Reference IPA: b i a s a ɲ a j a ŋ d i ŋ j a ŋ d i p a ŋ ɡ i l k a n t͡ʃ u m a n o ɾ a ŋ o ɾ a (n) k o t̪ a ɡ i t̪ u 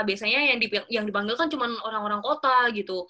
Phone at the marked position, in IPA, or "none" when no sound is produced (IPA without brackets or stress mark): ŋ